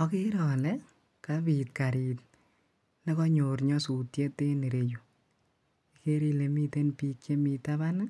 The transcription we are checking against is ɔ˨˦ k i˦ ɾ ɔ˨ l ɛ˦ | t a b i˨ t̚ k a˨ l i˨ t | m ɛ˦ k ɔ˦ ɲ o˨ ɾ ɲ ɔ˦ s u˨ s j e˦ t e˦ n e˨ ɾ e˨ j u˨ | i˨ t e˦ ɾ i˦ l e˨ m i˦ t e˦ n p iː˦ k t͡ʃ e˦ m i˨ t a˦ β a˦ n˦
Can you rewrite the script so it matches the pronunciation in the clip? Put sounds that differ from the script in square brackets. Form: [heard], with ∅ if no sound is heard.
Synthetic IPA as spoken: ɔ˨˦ k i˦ ɾ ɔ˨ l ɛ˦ | [k] a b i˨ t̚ k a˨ [ɾ] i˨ t | [n] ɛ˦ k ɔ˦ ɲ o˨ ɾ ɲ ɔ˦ s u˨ [t] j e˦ t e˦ n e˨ ɾ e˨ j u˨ | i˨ [k] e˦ ɾ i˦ l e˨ m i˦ t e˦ n p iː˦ k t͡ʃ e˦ m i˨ t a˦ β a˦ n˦